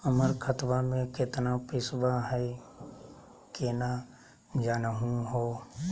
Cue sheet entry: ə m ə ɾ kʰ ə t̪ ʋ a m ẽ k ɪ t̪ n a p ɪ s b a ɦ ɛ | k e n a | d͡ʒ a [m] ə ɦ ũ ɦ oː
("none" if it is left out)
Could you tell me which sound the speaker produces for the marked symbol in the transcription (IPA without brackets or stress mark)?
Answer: n